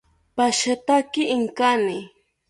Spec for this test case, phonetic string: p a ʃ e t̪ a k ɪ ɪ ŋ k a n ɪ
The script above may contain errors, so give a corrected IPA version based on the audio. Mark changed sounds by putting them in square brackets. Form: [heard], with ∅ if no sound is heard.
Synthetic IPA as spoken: p a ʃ [a] t̪ a k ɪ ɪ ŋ k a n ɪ